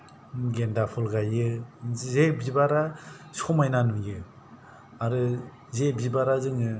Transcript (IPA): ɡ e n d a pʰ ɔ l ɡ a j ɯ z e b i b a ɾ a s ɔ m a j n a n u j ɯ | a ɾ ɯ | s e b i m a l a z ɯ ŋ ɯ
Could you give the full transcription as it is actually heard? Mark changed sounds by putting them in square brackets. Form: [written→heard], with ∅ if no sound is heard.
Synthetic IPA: ɡ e n d a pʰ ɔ l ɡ a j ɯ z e b i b a ɾ a s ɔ m a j n a n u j ɯ | a ɾ ɯ | [s→z] e b i [m→b] a [l→ɾ] a z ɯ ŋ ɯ